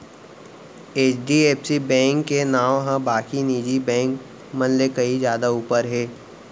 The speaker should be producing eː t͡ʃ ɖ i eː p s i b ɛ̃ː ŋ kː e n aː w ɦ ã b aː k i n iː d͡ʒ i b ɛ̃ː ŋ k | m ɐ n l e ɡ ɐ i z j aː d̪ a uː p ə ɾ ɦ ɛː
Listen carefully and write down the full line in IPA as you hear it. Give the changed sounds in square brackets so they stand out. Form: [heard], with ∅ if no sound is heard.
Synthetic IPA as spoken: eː t͡ʃ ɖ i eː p s i b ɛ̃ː ŋ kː e n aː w ɦ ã b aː k i n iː d͡ʒ i b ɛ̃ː ŋ k | m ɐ n l e [k] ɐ i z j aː d̪ a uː p ə ɾ ɦ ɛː